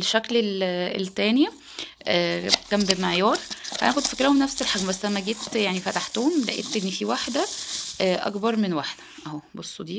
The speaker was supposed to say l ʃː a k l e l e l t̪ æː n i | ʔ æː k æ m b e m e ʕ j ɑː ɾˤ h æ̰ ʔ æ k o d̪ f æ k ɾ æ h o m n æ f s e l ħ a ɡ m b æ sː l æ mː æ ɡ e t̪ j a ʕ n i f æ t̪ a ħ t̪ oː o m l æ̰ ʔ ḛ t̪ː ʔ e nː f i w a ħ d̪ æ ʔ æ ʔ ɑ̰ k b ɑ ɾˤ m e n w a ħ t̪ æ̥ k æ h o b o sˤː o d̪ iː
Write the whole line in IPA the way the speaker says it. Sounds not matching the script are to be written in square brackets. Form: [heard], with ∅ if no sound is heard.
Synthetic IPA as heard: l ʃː [æ] k l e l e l t̪ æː n i | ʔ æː k æ m b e m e ʕ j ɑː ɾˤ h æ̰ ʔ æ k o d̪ f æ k ɾ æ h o m n æ f s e l ħ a ɡ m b æ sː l æ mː æ ɡ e t̪ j a ʕ n i f æ t̪ a ħ t̪ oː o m l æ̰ ʔ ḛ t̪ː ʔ e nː f i w a ħ d̪ æ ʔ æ ʔ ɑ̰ k b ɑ ɾˤ m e n w a ħ [d̪] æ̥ [ʔ] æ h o b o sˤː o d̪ iː